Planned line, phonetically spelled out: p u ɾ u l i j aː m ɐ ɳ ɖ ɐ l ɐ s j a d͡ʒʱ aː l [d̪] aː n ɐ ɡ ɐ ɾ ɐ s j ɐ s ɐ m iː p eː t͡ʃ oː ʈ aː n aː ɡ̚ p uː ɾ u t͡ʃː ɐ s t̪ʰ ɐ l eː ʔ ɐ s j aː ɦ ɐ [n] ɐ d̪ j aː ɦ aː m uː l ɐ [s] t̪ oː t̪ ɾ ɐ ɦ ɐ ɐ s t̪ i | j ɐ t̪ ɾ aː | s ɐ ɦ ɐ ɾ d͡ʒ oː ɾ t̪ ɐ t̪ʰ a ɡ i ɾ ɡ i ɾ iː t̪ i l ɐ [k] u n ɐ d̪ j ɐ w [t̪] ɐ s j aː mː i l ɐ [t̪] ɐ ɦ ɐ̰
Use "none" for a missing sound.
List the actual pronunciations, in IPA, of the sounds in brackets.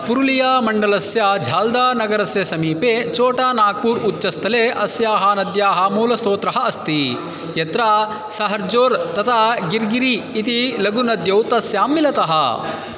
d̪, n, s, ɡ, t̪, t̪

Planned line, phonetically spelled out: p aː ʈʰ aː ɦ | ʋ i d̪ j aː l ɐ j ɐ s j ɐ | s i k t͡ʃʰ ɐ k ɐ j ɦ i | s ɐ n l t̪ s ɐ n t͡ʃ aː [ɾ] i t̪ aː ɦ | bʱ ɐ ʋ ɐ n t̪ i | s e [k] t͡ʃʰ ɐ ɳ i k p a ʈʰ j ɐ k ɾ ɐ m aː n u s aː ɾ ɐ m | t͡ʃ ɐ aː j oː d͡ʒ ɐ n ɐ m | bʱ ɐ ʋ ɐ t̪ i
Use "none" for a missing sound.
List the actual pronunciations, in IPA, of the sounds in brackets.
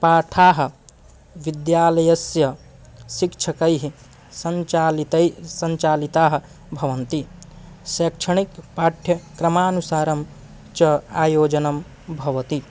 l, k

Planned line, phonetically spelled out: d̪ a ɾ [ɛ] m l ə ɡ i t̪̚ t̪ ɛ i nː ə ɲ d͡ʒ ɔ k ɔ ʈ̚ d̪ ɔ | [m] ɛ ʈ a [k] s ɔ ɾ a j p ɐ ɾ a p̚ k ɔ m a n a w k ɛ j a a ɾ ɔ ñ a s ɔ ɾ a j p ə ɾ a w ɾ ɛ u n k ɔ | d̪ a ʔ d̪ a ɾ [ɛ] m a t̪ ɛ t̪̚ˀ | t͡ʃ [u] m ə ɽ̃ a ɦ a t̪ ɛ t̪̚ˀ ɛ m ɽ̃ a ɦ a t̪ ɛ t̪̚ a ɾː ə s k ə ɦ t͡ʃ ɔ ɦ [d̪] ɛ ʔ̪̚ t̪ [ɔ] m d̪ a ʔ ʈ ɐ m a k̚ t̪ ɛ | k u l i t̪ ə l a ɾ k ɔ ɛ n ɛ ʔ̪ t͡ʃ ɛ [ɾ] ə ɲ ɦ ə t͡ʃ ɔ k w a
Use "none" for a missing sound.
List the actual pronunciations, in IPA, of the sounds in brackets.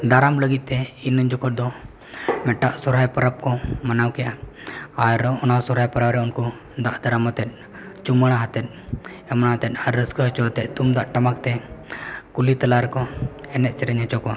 a, m, ʔ, a, u, t̪, u, ɾ

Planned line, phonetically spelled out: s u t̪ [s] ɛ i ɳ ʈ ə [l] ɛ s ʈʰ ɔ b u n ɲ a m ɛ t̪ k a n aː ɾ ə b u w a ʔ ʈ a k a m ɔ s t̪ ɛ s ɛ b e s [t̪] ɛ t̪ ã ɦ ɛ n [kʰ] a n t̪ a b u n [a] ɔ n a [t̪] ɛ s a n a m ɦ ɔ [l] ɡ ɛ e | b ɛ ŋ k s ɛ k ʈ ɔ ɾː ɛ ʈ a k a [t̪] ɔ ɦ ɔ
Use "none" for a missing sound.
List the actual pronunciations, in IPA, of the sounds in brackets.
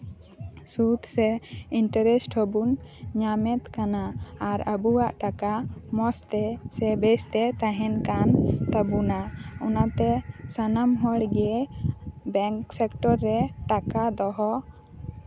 s, ɾ, t̪, k, a, t̪, ɽ, d̪

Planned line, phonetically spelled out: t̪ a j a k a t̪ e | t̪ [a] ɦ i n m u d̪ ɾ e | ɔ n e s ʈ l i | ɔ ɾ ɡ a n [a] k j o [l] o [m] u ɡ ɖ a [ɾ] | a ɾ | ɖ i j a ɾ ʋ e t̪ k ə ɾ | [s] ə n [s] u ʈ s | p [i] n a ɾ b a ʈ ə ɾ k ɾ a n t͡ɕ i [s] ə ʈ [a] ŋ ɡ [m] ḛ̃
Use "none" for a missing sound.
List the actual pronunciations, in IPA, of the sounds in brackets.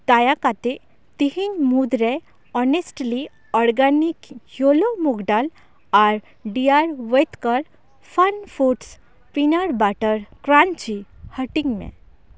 i, i, l, m, l, f, f, i, h, i, m

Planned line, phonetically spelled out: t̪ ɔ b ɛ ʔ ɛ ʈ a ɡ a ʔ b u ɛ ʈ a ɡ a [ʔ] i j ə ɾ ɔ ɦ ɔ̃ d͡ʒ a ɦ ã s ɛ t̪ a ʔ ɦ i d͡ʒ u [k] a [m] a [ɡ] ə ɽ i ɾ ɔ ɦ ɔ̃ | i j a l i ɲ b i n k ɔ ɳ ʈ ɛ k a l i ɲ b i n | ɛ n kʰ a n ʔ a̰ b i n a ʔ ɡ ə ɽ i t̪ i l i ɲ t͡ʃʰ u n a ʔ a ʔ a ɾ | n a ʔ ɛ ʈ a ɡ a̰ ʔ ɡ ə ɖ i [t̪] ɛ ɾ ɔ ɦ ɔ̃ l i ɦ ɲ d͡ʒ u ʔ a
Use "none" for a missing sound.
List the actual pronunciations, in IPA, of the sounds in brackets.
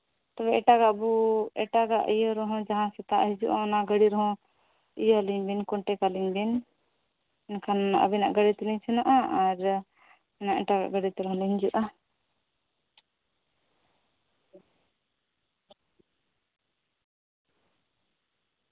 ʔ, ʔ, n, ɡ, t̪

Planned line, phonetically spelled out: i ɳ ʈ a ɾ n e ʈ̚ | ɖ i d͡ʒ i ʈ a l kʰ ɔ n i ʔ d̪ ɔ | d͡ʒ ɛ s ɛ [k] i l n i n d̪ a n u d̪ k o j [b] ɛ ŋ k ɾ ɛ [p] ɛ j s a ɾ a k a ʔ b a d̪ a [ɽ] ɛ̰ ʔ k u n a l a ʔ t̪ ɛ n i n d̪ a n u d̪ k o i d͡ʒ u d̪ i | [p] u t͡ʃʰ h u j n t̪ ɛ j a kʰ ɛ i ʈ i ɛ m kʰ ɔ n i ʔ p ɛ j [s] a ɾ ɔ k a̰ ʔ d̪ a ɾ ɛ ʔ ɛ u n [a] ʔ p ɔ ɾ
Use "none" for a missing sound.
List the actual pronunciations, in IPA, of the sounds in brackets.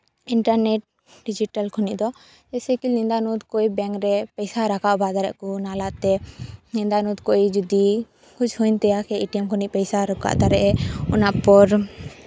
k, b, p, ɾ, k, s, a

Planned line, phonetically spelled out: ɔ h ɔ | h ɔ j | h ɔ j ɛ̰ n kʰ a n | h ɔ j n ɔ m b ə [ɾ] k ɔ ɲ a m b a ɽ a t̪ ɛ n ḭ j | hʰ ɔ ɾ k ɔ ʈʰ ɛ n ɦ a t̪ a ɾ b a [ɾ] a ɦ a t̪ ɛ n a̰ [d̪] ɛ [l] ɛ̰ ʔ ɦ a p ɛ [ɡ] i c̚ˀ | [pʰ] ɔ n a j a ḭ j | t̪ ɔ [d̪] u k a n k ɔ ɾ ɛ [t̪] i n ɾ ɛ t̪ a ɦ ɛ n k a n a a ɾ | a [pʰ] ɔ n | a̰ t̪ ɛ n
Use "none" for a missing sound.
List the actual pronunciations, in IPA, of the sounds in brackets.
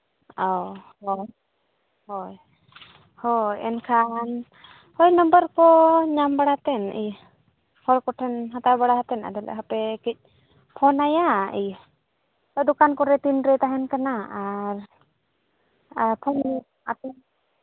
ɾ, ɽ, d̪, l, k, pʰ, d̪, t̪, pʰ

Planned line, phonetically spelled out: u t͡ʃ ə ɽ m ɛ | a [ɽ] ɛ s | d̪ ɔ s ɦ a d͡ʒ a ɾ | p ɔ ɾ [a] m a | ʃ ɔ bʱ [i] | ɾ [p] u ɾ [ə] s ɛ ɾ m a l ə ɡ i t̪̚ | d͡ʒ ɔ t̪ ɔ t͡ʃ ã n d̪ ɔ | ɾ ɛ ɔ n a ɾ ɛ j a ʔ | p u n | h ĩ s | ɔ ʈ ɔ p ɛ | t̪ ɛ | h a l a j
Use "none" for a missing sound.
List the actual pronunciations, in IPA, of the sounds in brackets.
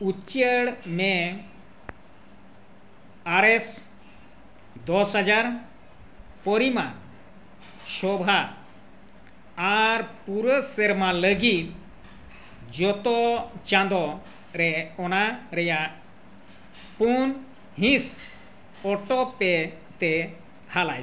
ɾ, i, a, p, ə

